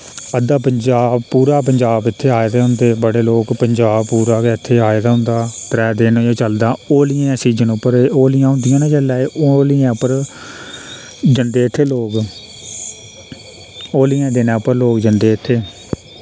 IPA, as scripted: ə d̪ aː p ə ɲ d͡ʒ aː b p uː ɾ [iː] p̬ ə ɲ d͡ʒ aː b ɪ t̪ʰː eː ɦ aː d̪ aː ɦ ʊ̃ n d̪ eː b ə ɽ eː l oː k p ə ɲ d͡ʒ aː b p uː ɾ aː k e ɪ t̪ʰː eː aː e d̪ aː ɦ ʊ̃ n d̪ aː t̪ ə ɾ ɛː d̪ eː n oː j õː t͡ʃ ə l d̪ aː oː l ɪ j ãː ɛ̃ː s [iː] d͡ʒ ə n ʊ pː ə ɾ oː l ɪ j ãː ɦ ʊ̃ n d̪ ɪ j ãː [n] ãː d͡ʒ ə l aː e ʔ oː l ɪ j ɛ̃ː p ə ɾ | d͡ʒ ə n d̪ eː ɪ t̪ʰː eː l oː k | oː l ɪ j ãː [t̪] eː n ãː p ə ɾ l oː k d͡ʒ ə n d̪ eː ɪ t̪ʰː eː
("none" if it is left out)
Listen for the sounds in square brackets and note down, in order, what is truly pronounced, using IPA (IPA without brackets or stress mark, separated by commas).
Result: aː, iː, n, d̪